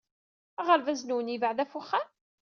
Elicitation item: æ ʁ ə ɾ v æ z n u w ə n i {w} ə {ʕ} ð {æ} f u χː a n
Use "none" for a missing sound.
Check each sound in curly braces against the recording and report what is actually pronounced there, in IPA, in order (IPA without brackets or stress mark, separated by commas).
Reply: v, ʕ, æ